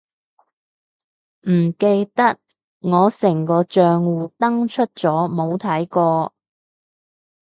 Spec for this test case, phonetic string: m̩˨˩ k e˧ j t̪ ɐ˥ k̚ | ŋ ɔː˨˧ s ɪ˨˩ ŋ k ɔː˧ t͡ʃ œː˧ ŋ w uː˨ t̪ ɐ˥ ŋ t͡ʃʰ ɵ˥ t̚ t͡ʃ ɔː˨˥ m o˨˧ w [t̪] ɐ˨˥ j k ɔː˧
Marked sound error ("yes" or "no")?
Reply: yes